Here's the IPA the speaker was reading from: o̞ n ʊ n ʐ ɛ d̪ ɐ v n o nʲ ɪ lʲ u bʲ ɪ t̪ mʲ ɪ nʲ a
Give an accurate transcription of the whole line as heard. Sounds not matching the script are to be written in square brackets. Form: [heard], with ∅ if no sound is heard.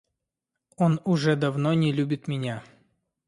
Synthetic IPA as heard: o̞ n ʊ [∅] ʐ ɛ d̪ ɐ v n o nʲ ɪ lʲ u bʲ ɪ t̪ mʲ ɪ nʲ a